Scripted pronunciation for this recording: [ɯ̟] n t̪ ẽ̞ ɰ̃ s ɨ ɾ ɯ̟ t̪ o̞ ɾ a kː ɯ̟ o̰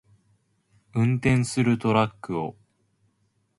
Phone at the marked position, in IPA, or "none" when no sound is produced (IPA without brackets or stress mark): ɯ̟̃